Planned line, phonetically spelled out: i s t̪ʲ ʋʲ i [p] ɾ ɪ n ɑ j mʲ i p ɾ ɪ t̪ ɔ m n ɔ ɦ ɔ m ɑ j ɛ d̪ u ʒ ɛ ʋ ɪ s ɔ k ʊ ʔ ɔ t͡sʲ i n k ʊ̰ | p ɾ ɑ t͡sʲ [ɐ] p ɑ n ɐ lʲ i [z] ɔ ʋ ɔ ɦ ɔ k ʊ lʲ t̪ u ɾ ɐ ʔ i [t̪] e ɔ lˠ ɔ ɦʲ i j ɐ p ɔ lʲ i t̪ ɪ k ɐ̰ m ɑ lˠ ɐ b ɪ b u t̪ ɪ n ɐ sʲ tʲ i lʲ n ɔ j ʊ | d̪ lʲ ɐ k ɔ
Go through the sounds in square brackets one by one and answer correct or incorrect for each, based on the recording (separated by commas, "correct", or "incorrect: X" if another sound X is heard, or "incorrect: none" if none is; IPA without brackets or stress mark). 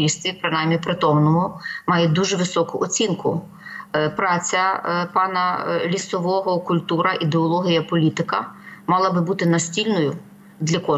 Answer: correct, correct, incorrect: s, incorrect: d̪